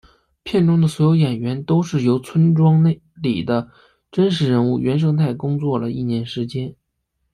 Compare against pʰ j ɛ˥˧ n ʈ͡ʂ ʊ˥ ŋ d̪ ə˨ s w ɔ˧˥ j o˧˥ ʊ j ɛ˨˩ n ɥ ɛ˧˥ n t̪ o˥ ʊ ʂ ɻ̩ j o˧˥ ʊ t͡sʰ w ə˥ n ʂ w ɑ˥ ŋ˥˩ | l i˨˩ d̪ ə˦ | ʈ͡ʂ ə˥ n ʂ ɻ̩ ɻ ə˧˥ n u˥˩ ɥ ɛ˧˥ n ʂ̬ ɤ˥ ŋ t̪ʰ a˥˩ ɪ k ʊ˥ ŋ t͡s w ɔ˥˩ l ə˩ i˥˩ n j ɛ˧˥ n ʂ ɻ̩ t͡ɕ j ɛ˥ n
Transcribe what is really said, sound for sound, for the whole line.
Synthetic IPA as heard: pʰ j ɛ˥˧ n ʈ͡ʂ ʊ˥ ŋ d̪ ə˨ s w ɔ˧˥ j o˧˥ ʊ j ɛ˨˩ n ɥ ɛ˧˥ n t̪ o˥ ʊ ʂ ɻ̩ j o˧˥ ʊ t͡sʰ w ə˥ n ʈ͡ʂ w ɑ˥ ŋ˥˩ | l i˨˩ d̪ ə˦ | ʈ͡ʂ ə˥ n ʂ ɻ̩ ɻ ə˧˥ n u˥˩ ɥ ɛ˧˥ n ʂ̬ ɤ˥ ŋ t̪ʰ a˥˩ ɪ k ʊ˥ ŋ t͡s w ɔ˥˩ l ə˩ i˥˩ n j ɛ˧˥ n ʂ ɻ̩ t͡ɕ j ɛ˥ n

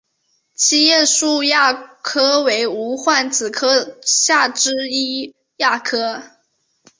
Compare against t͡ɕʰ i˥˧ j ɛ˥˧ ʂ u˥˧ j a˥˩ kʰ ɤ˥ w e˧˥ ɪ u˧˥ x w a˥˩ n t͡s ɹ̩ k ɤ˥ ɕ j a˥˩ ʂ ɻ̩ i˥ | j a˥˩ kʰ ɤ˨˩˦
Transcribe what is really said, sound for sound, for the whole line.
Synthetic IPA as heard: t͡ɕʰ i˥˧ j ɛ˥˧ ʂ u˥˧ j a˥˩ kʰ ɤ˥ w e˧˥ ɪ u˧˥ x w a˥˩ n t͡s ɹ̩ kʰ ɤ˥ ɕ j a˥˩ ʈ͡ʂ ɻ̩ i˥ | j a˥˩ kʰ ɤ˥

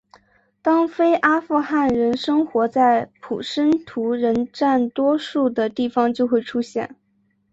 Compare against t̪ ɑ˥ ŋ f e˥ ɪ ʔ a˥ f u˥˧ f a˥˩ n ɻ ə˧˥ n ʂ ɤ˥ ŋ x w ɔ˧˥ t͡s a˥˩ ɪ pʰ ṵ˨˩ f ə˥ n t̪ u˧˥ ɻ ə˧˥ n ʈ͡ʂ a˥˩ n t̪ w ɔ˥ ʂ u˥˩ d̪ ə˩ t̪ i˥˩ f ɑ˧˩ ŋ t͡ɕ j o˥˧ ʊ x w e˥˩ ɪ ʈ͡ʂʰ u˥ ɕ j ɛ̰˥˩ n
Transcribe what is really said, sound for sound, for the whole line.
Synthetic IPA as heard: t̪ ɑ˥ ŋ f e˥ ɪ ʔ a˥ f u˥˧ x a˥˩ n ɻ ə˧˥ n ʂ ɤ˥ ŋ x w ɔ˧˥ t͡s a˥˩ ɪ pʰ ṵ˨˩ ʂ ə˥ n t̪ʰ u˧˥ ɻ ə˧˥ n ʈ͡ʂ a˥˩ n t̪ w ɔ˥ ʂ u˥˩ d̪ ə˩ t̪ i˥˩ f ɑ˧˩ ŋ t͡ɕ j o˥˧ ʊ x w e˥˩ ɪ ʈ͡ʂʰ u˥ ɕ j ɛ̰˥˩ n

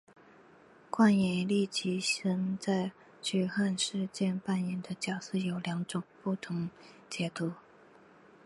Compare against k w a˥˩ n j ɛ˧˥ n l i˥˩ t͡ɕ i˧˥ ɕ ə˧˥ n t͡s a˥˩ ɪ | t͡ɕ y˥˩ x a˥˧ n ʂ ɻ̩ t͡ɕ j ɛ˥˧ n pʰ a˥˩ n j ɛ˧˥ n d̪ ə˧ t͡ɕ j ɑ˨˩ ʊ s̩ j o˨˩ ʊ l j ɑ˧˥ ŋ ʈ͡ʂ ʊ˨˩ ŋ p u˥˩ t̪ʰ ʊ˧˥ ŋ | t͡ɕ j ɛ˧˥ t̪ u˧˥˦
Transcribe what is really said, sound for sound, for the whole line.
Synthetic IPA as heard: k w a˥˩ n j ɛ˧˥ n l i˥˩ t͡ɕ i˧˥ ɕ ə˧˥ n t͡s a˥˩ ɪ | t͡ɕ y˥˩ x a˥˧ n ʂ ɻ̩ t͡ɕ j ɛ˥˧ n p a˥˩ n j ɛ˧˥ n d̪ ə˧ t͡ɕ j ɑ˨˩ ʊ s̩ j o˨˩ ʊ l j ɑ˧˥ ŋ ʈ͡ʂ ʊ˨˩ ŋ p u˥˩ t̪ʰ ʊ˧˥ ŋ | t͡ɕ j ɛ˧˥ t̪ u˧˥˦

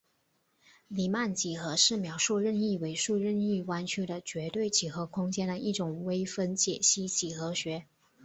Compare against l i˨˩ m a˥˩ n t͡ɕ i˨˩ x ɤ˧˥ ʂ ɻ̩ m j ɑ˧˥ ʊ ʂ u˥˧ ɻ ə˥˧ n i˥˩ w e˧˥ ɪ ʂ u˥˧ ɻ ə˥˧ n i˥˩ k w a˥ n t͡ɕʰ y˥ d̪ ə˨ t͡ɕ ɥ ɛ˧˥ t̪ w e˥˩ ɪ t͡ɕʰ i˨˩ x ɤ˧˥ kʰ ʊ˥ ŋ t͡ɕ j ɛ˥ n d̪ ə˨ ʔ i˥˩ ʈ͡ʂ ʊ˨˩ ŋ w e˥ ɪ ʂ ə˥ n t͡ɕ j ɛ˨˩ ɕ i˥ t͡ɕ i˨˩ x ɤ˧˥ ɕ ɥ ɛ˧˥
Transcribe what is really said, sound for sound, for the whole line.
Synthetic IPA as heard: l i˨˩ m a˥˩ n t͡ɕ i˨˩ x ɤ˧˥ ʂ ɻ̩ m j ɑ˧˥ ʊ ʂ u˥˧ ɻ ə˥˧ n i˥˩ w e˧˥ ɪ ʂ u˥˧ ɻ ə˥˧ n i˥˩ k w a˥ n t͡ɕʰ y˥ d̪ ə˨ t͡ɕ ɥ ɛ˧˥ t̪ w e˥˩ ɪ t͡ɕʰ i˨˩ x ɤ˧˥ kʰ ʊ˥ ŋ t͡ɕ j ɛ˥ n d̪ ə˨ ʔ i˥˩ ʈ͡ʂ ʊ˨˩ ŋ w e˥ ɪ f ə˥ n t͡ɕ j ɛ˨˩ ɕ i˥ t͡ɕ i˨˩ x ɤ˧˥ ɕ ɥ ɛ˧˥

